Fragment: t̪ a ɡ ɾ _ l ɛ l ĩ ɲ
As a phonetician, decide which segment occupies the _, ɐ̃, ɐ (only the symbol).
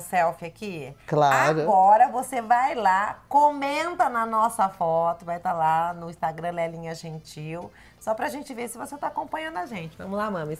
ɐ̃